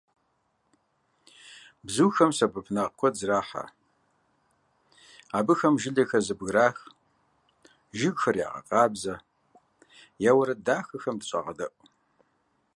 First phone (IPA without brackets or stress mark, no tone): b